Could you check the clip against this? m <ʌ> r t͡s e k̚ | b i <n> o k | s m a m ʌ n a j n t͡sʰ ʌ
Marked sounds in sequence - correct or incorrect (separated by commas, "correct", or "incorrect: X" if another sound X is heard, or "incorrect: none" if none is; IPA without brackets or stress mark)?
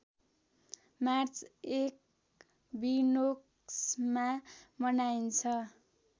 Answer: incorrect: a, correct